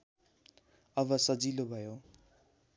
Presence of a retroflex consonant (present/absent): absent